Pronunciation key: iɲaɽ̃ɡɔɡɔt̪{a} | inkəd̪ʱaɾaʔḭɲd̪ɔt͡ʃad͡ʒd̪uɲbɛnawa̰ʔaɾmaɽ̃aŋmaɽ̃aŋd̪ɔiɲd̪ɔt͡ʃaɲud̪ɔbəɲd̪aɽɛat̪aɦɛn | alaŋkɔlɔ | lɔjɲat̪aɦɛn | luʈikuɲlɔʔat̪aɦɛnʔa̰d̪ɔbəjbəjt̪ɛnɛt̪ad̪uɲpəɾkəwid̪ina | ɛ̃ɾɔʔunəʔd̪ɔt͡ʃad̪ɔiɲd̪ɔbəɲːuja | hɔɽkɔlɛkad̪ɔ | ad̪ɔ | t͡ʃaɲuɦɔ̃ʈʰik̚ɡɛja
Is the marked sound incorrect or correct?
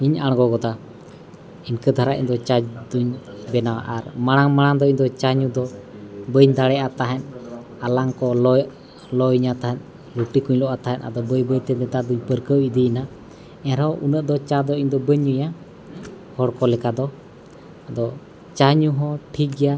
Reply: correct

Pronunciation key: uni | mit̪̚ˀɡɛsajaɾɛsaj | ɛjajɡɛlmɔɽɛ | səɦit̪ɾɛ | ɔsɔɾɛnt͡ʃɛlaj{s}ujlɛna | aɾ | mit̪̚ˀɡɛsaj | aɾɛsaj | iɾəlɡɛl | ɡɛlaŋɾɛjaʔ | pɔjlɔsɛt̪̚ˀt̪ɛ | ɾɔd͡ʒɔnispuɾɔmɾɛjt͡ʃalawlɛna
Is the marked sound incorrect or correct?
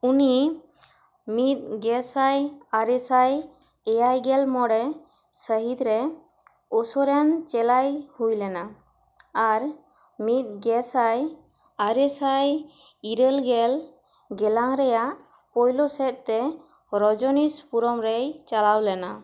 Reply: incorrect: h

